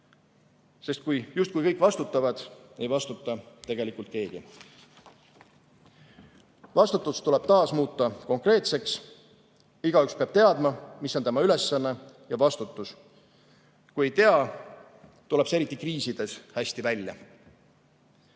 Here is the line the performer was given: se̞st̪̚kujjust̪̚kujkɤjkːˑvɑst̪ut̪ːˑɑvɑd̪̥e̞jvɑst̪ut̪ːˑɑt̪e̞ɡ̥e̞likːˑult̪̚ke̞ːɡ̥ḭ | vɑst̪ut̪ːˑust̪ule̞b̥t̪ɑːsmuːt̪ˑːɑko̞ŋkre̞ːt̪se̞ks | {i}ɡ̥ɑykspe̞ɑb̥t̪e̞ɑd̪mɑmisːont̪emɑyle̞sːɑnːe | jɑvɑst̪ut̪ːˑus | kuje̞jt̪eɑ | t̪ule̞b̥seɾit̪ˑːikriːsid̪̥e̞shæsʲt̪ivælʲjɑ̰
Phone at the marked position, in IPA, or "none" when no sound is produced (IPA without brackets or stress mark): i